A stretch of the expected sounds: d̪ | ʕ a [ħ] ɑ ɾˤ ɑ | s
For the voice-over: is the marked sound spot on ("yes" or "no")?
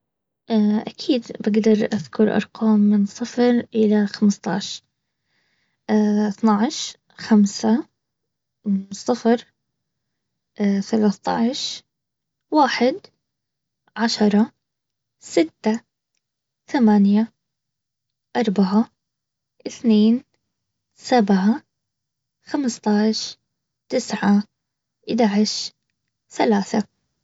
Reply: no